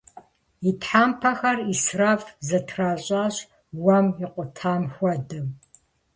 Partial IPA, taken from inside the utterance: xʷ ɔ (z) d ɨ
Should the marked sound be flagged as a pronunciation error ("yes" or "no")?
yes